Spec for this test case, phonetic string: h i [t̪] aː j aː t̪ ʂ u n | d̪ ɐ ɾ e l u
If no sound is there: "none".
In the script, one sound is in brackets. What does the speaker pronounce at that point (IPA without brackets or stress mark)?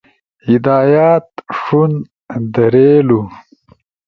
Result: d̪